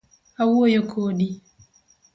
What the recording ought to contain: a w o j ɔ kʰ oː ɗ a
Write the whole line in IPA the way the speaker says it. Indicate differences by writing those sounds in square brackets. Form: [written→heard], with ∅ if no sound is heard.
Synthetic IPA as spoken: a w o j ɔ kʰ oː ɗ [a→i]

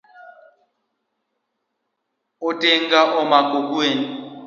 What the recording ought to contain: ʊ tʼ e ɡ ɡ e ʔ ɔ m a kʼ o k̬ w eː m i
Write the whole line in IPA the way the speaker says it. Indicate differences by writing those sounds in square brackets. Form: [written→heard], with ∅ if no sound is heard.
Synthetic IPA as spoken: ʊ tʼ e [ɡ→ŋ] ɡ [e→a] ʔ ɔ m a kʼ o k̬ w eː [m→n] i

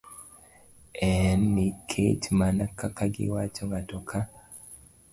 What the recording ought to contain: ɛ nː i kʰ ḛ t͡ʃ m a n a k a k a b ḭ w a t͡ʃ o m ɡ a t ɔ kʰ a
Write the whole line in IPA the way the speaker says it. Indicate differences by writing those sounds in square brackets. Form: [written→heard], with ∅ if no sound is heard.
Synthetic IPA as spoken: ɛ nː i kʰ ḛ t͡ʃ m a n a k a k a [b→ɡ] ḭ w a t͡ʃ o [m→ŋ] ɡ a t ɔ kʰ a

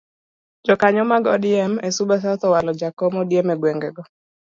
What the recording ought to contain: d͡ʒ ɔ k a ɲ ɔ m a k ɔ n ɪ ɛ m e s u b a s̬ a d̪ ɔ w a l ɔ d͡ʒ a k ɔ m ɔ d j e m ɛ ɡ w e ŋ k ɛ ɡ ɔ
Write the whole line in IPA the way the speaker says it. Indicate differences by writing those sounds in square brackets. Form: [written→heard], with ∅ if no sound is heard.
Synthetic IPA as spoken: d͡ʒ ɔ k a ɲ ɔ m a [k→ɡ] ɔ [n→d] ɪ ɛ m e s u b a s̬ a [d̪→t̪] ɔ w a l ɔ d͡ʒ a k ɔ m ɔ d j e m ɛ ɡ w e ŋ [k→ɡ] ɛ ɡ ɔ

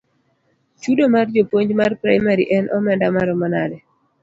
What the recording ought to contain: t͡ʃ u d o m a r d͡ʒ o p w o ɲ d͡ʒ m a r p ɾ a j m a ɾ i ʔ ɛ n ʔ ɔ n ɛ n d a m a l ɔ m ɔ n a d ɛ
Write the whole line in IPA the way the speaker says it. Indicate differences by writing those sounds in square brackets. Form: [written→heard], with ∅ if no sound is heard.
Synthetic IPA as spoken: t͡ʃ u d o m a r d͡ʒ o p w o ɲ d͡ʒ m a r p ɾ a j m a ɾ i ʔ ɛ n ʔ ɔ [n→m] ɛ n d a m a [l→ɾ] ɔ m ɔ n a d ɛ

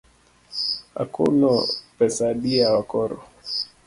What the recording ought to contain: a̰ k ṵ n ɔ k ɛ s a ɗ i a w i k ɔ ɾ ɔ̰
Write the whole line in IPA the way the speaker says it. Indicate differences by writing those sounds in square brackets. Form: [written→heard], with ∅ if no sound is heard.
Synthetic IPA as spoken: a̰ k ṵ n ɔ [k→p] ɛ s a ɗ i a w [i→a] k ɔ ɾ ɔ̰

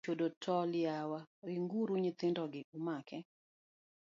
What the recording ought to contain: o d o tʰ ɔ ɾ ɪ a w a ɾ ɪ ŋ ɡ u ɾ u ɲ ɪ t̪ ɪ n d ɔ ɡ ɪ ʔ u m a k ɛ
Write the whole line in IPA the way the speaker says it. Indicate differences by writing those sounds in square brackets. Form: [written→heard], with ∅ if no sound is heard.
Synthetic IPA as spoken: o d o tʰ ɔ [ɾ→l] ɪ a w a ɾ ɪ ŋ ɡ u ɾ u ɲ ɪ t̪ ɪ n d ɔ ɡ ɪ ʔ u m a k ɛ

